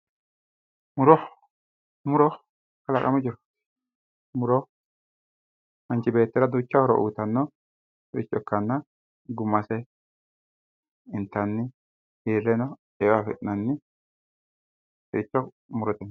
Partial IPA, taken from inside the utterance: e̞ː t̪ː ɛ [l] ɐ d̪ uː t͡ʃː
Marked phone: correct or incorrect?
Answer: incorrect: ɾ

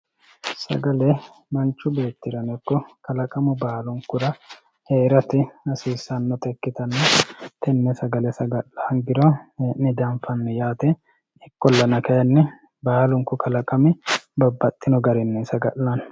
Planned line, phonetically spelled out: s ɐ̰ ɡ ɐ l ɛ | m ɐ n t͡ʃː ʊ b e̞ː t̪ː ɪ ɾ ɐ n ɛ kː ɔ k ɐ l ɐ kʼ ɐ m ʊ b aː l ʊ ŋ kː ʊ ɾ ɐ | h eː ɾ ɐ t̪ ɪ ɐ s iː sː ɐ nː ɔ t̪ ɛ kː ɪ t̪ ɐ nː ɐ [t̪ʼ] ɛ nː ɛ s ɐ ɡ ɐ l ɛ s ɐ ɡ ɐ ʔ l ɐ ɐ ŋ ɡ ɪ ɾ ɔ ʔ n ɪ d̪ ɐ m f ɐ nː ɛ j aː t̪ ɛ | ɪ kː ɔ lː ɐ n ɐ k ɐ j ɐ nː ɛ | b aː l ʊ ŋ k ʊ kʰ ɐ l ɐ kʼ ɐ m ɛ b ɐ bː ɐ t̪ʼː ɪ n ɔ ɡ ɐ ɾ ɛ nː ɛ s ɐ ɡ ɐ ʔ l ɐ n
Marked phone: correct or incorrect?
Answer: incorrect: t̪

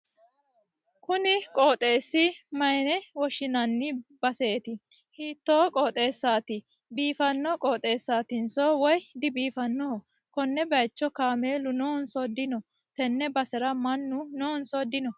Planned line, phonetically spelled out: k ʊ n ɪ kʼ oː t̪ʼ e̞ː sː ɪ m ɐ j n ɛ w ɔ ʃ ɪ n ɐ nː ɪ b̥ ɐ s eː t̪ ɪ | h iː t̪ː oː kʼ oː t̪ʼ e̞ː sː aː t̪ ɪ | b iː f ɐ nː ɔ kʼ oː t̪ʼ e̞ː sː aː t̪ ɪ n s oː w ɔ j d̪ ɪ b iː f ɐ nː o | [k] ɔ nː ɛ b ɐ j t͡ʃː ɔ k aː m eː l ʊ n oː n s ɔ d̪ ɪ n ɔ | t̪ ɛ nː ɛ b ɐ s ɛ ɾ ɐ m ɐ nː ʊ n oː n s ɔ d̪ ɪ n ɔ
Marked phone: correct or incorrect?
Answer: correct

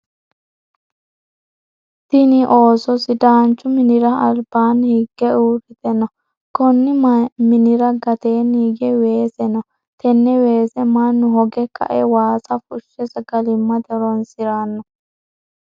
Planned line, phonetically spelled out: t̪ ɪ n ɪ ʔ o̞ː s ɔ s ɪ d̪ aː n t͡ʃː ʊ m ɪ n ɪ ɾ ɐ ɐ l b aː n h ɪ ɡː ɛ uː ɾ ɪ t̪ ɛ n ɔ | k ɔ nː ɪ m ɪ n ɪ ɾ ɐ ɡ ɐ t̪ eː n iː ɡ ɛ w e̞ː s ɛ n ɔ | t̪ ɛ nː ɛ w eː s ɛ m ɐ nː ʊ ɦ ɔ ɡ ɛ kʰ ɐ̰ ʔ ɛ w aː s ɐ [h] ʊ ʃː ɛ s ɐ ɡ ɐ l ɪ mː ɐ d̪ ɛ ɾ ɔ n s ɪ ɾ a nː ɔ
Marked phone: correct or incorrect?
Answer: incorrect: f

